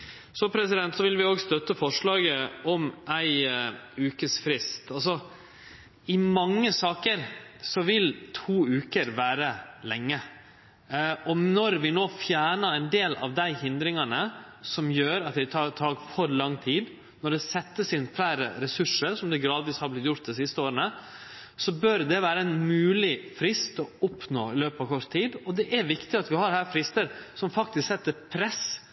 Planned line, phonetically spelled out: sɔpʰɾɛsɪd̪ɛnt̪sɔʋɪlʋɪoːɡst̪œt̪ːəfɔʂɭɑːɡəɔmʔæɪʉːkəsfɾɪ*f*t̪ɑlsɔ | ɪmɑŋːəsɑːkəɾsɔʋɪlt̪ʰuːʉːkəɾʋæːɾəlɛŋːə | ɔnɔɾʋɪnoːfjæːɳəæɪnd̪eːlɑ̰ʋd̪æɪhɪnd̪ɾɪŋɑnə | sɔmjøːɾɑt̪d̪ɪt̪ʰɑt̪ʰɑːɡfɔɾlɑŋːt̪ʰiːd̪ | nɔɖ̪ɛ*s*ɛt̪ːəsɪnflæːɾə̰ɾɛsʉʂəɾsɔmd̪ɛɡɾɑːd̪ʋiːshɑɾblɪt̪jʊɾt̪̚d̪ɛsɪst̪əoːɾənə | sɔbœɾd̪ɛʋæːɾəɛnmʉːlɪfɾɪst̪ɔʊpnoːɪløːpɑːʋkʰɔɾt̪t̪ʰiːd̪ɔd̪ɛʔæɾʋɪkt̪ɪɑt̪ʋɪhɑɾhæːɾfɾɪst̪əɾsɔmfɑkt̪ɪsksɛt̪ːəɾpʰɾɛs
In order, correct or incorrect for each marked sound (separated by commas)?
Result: incorrect, correct